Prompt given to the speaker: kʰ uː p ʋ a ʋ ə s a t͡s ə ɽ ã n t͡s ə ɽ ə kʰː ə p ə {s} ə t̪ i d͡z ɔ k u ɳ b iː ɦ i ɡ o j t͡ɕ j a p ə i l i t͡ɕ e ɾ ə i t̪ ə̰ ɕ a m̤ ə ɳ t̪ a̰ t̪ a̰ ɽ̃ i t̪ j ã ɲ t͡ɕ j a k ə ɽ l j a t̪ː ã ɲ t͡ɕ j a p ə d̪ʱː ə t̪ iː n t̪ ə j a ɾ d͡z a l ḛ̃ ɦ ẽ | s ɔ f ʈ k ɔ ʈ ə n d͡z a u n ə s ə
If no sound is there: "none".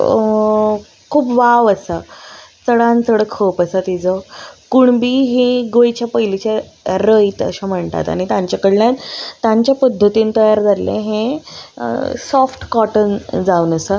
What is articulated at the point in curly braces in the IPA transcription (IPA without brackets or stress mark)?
s